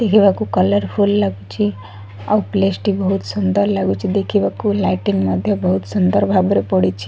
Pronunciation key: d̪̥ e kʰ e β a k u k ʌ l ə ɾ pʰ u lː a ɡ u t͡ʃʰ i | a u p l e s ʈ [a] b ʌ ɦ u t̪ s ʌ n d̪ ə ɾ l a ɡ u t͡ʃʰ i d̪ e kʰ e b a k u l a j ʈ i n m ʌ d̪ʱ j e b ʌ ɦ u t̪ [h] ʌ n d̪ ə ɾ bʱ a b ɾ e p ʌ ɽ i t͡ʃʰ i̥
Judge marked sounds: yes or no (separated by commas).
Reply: no, no